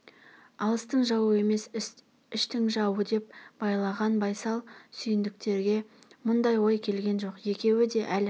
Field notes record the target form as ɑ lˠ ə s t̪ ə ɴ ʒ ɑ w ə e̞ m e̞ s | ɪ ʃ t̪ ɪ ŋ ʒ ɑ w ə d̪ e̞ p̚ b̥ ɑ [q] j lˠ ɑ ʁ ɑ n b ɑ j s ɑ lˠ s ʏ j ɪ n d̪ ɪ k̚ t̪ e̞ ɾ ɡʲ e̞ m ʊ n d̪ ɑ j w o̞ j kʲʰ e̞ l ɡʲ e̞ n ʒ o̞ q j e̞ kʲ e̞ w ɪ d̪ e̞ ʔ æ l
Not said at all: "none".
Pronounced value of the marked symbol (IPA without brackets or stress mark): none